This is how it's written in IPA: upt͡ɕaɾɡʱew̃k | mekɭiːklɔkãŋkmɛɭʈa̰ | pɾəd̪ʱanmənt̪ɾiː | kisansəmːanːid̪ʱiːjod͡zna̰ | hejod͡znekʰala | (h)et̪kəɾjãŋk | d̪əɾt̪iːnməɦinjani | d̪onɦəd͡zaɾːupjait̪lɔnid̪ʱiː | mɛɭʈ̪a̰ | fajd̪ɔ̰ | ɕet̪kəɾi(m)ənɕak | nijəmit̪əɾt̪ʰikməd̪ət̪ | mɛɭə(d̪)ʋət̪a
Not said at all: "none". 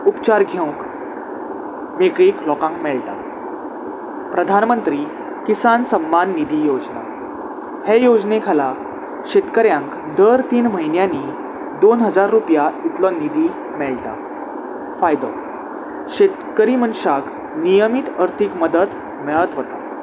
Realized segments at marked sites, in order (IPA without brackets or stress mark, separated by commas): ɕ, m, t̪